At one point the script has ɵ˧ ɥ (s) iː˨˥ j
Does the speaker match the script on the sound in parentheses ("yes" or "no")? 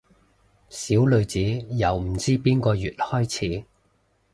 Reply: no